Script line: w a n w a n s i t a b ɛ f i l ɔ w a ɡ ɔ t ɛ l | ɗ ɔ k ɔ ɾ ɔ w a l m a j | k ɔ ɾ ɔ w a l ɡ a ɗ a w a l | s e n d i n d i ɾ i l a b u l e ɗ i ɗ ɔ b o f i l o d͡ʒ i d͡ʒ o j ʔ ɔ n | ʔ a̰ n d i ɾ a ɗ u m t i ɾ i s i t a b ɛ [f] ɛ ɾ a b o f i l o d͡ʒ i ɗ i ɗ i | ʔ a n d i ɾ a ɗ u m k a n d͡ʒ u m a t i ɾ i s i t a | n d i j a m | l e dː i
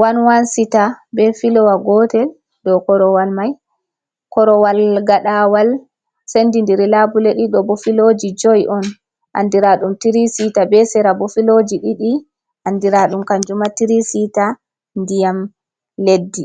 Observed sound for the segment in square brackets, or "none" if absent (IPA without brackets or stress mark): s